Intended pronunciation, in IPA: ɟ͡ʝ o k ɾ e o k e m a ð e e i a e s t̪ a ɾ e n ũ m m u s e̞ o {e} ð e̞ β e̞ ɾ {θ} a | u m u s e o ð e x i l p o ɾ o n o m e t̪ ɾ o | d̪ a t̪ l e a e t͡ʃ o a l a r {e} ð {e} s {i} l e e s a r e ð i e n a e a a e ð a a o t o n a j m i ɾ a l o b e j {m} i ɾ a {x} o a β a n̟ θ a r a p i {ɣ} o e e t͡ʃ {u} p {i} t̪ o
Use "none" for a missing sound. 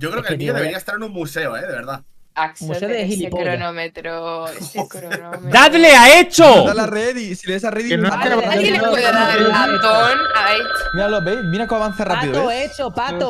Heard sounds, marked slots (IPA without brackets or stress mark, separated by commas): e, ð, e, i, i, m, k, ð, o, a